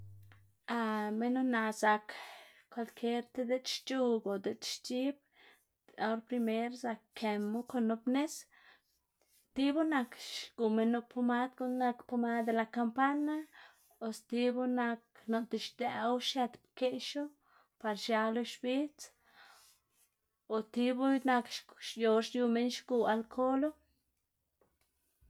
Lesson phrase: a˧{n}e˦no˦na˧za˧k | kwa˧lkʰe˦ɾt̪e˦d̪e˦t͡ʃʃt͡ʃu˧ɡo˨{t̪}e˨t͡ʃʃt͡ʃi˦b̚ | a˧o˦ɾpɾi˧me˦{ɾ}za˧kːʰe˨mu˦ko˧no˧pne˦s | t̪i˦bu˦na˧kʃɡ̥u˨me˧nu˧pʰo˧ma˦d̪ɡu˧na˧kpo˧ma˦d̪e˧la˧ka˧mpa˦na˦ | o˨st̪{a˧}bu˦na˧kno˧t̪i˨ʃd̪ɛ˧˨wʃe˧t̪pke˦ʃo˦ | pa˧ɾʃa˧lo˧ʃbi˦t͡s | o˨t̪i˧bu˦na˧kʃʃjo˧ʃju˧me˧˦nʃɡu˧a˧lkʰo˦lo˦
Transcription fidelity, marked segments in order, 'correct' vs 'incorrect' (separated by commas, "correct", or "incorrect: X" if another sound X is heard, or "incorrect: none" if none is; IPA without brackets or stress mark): incorrect: m, incorrect: d̪, correct, incorrect: i˧